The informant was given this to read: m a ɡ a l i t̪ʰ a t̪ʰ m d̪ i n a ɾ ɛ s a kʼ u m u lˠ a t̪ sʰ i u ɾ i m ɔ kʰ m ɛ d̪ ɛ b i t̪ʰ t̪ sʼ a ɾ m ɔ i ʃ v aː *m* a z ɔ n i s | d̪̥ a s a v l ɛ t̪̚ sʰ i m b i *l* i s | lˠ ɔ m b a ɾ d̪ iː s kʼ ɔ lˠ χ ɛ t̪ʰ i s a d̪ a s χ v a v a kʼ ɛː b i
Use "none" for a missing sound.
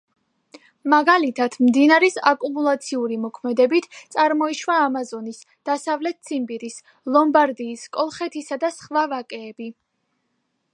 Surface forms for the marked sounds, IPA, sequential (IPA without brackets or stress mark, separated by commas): m, ɾ